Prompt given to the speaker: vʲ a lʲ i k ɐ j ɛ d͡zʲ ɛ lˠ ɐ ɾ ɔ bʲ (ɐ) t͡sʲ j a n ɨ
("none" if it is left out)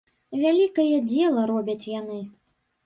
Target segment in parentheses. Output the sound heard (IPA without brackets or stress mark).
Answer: ɐ